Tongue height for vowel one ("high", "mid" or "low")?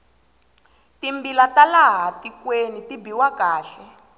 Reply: high